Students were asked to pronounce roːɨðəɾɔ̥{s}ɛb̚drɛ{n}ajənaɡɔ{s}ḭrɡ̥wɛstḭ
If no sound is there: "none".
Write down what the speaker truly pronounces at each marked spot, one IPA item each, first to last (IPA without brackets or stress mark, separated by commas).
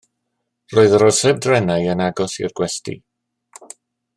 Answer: s, n, s